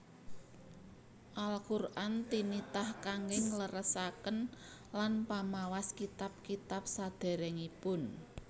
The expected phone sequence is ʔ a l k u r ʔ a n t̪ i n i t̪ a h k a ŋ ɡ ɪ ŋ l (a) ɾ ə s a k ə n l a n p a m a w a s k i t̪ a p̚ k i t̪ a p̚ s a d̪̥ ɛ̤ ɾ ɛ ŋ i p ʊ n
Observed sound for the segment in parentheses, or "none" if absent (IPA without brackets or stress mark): ə